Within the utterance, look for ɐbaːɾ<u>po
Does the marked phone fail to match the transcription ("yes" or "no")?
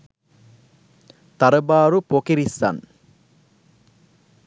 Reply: no